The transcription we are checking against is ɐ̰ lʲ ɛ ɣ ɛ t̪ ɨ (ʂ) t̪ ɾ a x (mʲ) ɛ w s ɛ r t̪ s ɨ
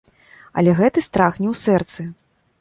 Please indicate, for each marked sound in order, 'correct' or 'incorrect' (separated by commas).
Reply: incorrect, incorrect